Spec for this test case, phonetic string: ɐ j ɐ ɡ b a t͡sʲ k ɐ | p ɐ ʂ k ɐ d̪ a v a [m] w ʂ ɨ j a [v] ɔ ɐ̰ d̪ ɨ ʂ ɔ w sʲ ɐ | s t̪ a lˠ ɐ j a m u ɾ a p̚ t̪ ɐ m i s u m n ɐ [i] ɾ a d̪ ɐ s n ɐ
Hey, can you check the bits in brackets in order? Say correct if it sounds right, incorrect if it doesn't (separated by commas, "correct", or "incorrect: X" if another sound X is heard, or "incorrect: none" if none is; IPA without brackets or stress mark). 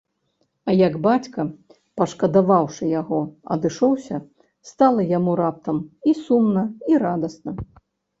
incorrect: none, incorrect: ɣ, correct